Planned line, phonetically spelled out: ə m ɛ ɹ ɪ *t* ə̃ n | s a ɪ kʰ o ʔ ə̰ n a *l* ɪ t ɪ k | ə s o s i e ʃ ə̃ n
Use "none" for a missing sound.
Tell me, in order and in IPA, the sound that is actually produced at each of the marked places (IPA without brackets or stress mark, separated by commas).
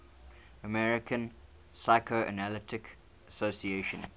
k, l